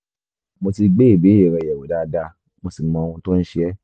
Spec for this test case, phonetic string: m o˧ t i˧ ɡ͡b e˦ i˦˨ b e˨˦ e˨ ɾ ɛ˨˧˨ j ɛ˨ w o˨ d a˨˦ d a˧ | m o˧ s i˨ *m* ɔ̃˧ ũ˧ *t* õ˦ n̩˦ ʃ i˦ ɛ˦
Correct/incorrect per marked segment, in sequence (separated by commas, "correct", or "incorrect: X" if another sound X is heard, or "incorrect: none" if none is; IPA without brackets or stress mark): correct, correct